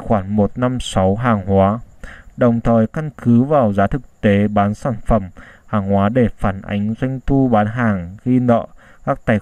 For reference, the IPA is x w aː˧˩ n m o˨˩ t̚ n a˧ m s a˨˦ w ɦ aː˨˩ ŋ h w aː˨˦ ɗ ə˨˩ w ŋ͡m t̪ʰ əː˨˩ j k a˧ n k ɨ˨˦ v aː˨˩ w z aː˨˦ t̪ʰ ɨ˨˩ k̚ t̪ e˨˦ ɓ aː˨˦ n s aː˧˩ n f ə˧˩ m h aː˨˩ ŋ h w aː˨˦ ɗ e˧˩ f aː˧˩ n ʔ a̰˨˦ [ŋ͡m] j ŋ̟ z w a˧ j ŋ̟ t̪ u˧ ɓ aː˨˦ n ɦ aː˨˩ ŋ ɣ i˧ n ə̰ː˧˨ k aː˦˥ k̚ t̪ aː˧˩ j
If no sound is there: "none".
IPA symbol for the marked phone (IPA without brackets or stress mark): none